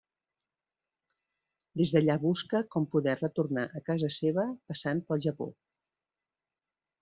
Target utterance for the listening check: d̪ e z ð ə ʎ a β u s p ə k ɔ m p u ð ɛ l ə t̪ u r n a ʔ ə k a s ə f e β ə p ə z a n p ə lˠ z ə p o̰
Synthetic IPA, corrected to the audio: d̪ e z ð ə ʎ a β u s k ə k ɔ m p u ð ɛ r ə t̪ u r n a ʔ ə k a z ə s e β ə p ə s a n p ə lˠ ʒ ə p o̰